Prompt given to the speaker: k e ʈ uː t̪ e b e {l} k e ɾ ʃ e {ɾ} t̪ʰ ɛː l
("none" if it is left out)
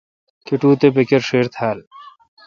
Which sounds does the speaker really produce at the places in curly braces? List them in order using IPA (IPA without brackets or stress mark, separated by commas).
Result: none, ɾ